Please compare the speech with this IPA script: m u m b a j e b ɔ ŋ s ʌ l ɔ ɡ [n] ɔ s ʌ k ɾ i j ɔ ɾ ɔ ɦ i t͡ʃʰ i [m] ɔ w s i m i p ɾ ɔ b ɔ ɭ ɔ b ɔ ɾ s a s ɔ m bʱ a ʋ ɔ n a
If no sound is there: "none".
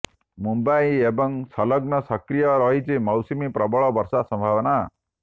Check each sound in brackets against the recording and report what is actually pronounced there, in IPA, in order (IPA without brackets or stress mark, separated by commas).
n, m